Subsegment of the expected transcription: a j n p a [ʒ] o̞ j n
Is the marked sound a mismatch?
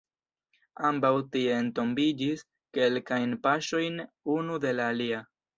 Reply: yes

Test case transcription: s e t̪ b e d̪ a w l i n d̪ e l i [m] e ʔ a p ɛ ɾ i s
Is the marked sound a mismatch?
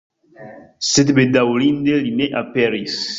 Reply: yes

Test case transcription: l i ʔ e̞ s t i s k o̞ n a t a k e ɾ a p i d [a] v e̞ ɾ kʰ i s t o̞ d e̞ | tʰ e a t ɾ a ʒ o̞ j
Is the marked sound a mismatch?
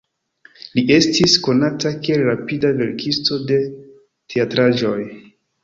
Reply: no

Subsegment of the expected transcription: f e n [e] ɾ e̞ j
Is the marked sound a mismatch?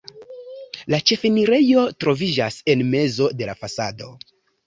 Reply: yes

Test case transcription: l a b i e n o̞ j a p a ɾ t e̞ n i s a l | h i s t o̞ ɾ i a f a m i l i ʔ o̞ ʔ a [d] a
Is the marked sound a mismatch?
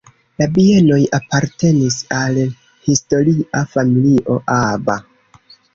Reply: yes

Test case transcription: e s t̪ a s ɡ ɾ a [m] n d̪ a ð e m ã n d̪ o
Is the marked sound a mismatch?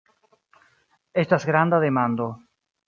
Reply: yes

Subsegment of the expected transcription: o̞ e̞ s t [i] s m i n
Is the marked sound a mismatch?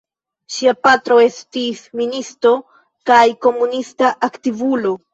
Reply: no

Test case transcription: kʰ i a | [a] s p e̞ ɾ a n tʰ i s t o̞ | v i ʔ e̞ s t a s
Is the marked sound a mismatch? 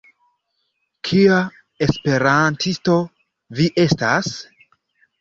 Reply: yes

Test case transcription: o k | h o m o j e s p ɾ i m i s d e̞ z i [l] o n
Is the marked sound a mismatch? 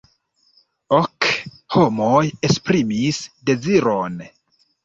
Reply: yes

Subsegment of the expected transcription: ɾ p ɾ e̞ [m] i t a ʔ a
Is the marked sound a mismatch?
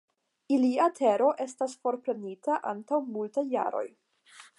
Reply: yes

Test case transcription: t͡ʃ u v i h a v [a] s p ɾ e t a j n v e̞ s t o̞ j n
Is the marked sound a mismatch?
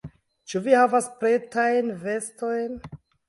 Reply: no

